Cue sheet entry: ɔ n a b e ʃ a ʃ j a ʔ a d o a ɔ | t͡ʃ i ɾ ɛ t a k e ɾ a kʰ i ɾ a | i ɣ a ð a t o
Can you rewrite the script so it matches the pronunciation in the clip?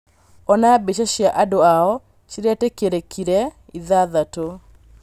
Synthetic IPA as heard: ɔ n a b e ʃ a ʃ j a ʔ a d o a ɔ | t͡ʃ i ɾ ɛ t e k e ɾ e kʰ i ɾ ɛ | i ð a ð a t o